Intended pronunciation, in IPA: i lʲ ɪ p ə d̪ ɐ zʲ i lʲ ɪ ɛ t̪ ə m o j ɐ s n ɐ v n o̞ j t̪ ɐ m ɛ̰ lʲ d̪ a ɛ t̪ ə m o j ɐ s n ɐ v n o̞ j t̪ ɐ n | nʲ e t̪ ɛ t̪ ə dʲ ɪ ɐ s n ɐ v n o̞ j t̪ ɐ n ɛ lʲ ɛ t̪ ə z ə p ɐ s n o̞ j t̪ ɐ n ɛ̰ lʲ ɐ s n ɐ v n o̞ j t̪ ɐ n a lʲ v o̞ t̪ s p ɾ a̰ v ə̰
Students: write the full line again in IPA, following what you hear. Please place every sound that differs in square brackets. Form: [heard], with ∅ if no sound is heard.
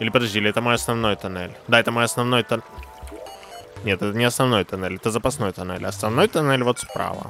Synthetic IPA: i lʲ ɪ p ə d̪ ɐ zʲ i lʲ ɪ ɛ t̪ ə m o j ɐ s n ɐ v n o̞ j t̪ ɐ [n] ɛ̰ lʲ d̪ a ɛ t̪ ə m o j ɐ s n ɐ v n o̞ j t̪ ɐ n | nʲ e t̪ ɛ t̪ ə [nʲ] ɪ ɐ s n ɐ v n o̞ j t̪ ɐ n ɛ lʲ ɛ t̪ ə z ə p ɐ s n o̞ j t̪ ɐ n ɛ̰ lʲ ɐ s n ɐ v n o̞ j t̪ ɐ n [ɛ] lʲ v o̞ t̪ s p ɾ a̰ v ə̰